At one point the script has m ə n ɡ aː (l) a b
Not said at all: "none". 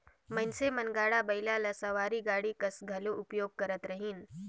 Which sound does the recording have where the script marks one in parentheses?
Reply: ɽ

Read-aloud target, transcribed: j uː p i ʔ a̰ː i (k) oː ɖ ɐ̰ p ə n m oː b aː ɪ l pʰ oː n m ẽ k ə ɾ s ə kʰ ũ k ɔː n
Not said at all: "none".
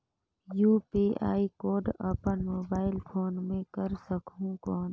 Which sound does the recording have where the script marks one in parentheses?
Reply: k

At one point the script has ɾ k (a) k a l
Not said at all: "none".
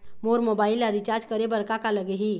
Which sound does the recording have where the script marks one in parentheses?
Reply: a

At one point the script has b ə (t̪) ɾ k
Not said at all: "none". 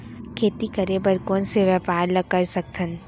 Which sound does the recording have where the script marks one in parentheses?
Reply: none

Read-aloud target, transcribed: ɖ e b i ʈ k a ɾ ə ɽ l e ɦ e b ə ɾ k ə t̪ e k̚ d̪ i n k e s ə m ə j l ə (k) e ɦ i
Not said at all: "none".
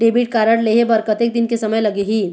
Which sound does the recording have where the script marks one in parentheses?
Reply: ɡ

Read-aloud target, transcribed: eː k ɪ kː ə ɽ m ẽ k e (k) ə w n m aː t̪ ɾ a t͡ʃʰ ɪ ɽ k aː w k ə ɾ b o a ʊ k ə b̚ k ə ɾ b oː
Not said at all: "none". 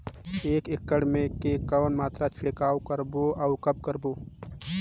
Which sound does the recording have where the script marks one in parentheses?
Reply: k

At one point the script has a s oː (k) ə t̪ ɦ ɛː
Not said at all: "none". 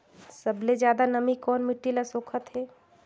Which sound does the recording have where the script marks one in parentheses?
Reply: kʰ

